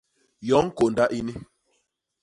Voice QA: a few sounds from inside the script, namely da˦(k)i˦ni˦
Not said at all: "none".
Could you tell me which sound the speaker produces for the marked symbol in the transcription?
ʔ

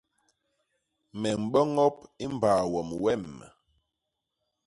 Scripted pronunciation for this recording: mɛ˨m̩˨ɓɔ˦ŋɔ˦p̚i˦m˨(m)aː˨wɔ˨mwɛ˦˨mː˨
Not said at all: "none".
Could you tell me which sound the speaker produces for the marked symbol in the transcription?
b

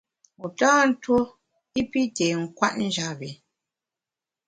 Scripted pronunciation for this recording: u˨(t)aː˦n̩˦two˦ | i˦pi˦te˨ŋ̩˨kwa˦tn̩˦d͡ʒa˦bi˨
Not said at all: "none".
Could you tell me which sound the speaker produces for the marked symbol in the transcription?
t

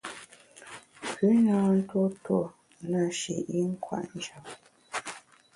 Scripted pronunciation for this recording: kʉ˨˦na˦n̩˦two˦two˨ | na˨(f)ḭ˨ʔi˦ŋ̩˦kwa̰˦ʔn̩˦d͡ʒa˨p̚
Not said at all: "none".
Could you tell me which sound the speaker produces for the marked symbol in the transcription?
ʃ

